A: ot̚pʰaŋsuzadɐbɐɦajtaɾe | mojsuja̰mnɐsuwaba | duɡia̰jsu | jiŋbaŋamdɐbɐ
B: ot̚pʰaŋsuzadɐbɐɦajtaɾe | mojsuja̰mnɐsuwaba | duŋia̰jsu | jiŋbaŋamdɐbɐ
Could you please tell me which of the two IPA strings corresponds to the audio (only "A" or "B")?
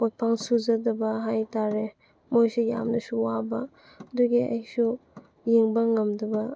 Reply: A